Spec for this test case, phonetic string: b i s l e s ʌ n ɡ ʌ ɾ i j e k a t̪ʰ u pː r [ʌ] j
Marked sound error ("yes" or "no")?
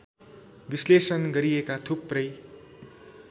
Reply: no